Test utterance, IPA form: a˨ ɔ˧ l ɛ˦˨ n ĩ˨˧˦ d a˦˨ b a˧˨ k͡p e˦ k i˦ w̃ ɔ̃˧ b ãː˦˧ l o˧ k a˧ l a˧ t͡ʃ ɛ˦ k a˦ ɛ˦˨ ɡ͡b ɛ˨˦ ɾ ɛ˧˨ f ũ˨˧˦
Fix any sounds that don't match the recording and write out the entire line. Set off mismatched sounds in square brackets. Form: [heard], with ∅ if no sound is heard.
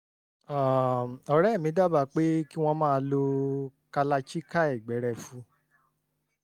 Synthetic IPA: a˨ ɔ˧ [ɾ] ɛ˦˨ [m] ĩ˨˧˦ d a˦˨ b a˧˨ k͡p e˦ k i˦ w̃ ɔ̃˧ [m] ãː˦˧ l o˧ k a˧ l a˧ t͡ʃ [i˦] k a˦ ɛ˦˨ ɡ͡b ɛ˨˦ ɾ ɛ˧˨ f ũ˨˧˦